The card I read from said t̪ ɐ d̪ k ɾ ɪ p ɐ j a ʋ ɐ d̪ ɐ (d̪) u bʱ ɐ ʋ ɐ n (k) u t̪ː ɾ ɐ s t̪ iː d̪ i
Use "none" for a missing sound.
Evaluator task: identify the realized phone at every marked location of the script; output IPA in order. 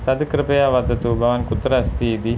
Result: t̪, k

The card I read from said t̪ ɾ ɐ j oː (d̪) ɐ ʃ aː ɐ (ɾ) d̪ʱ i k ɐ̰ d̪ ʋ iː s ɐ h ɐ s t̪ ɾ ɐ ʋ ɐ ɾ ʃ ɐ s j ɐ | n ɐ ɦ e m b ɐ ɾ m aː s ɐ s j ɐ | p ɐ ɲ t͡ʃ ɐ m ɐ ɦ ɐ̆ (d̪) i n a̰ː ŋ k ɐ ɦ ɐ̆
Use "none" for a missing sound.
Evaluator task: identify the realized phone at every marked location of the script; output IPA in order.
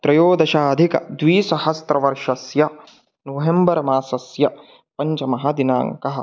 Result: d̪, none, d̪

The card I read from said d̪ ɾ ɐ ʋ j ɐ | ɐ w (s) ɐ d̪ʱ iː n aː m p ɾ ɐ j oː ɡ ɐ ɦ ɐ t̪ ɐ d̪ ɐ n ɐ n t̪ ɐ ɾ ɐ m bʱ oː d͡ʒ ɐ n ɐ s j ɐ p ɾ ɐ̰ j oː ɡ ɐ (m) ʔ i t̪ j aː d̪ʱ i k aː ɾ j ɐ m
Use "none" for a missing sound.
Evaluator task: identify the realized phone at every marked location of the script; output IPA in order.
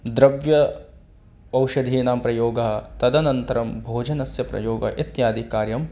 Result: ʃ, none

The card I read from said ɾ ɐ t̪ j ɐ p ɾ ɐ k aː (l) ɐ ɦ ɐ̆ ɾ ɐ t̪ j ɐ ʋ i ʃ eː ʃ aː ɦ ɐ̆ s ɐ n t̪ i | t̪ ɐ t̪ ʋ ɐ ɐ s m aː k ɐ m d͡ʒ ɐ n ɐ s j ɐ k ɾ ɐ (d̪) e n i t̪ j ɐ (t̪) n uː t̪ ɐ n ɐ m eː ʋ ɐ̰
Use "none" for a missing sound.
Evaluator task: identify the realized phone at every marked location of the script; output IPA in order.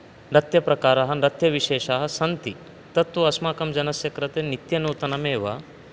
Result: ɾ, t̪, none

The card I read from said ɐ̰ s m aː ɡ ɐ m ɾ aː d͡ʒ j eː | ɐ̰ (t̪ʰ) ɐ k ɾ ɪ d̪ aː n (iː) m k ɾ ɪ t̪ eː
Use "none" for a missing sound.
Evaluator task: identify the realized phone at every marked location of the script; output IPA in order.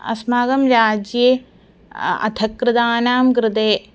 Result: t̪ʰ, aː

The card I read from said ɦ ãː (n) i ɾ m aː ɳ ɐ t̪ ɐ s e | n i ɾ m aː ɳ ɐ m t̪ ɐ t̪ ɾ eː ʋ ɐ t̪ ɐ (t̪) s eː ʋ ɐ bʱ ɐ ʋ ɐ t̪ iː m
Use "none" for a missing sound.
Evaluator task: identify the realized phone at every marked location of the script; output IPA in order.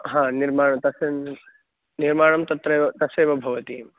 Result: n, none

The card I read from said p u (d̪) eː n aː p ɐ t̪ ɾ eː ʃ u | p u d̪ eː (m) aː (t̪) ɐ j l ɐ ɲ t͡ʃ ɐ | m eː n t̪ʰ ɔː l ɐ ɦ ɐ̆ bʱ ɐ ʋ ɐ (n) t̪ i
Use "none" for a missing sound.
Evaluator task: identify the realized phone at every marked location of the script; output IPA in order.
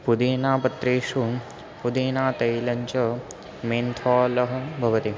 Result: d̪, n, t̪, none

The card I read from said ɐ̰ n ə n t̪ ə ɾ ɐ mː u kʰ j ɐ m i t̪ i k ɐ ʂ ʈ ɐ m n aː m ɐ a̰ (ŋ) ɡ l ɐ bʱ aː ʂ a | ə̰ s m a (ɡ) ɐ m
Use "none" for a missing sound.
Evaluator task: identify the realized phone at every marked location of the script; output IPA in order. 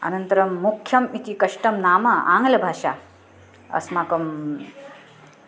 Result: ŋ, k

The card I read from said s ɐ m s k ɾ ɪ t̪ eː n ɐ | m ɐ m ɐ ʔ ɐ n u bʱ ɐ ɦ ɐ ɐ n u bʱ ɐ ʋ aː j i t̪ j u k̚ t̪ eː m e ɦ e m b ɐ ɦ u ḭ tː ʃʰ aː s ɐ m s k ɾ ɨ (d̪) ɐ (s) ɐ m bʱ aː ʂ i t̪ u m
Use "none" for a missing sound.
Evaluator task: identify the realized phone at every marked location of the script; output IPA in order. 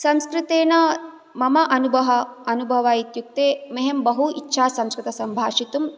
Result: t̪, s

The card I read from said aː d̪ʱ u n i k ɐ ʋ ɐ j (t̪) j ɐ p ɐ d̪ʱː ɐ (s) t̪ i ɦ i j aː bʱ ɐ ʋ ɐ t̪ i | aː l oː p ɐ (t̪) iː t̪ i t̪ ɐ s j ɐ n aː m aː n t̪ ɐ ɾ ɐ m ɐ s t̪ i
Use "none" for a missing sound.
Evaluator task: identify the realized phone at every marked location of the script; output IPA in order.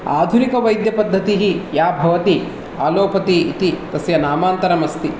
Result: d̪, none, t̪

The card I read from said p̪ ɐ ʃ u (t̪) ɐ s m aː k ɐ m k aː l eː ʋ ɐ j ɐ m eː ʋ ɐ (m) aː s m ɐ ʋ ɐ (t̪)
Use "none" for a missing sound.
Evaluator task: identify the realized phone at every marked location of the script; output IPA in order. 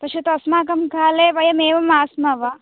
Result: t̪, m, none

